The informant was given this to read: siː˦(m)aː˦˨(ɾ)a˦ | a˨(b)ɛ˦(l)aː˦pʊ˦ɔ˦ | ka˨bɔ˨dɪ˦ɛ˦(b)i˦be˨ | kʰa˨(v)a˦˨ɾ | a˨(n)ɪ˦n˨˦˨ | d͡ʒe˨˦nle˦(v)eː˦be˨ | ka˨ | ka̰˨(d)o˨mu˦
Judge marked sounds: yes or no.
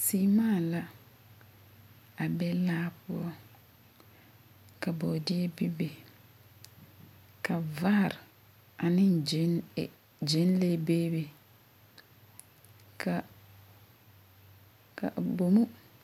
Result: yes, no, yes, yes, yes, yes, yes, no, no

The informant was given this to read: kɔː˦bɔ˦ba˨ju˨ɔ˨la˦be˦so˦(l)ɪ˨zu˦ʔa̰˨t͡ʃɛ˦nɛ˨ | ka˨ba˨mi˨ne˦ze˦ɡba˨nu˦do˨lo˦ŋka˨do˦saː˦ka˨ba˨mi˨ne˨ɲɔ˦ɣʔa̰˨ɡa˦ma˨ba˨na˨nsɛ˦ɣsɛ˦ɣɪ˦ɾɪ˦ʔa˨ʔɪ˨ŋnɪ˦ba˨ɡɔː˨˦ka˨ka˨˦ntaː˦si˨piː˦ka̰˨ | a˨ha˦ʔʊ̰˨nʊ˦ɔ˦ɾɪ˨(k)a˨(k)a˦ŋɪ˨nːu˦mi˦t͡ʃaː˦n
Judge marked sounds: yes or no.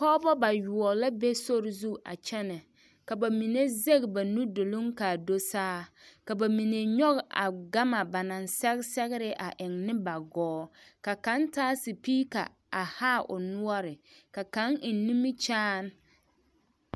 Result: no, yes, yes

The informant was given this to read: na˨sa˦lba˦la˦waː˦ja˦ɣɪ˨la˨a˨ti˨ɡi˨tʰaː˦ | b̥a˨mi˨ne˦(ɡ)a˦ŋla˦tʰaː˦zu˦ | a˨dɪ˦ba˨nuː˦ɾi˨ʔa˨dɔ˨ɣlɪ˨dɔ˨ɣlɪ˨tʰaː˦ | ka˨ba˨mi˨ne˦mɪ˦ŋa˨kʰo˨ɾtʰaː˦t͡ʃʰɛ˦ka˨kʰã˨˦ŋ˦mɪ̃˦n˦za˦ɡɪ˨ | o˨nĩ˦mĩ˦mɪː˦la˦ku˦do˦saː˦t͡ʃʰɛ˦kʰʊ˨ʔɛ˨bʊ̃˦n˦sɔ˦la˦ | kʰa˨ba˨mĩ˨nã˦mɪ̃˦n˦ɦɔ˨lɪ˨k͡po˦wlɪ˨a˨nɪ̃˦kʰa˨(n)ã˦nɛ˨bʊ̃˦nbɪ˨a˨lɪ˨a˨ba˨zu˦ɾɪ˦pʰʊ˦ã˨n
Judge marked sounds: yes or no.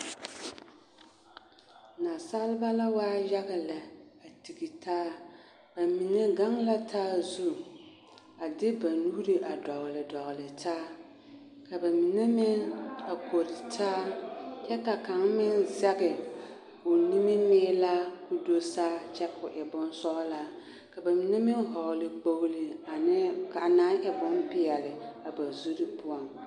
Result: yes, yes

